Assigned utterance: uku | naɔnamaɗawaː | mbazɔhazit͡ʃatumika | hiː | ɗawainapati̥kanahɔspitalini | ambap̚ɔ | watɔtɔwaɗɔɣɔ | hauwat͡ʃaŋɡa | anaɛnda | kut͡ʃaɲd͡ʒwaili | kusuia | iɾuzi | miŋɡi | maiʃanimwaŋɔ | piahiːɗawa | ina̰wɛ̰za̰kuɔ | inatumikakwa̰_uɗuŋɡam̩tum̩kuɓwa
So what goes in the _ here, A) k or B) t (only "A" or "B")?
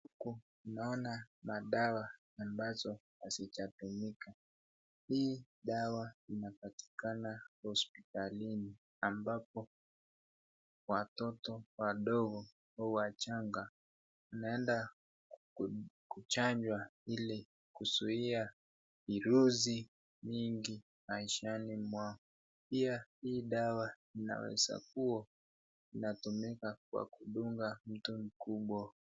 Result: A